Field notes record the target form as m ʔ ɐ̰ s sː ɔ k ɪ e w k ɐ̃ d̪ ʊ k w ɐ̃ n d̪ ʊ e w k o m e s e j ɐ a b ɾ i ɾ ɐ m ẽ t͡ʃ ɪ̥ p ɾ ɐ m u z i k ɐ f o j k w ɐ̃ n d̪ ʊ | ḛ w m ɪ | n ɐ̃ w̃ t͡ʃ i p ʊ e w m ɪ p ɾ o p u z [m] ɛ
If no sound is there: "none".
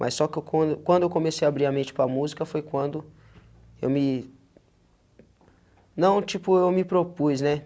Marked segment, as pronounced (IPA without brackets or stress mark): n